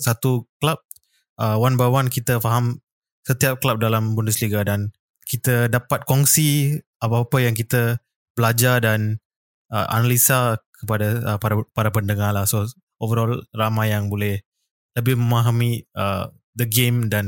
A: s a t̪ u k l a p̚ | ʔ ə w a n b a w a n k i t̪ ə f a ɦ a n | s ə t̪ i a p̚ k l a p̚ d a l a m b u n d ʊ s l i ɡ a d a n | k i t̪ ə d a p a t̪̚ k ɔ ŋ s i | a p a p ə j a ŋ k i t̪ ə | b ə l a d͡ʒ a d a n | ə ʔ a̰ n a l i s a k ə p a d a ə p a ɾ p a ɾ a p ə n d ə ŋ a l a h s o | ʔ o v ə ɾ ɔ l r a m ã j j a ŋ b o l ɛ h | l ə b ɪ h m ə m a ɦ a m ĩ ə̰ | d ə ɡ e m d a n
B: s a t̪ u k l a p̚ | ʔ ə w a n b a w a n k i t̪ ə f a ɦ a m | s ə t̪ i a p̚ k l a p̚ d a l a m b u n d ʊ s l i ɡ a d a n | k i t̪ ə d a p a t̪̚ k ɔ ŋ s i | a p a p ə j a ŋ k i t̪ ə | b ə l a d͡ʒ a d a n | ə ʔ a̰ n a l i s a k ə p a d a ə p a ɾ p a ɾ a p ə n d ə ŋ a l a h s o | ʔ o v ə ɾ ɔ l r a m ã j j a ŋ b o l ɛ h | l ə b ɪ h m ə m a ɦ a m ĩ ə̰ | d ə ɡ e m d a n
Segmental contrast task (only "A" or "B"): B